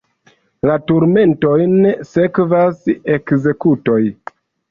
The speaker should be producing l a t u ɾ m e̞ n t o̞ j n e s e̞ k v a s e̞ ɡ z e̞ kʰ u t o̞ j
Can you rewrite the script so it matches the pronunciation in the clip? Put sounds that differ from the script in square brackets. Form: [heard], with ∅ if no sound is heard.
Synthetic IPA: l a t u ɾ m e̞ n t o̞ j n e s e̞ k v a s e̞ [k] z e̞ [k] u t o̞ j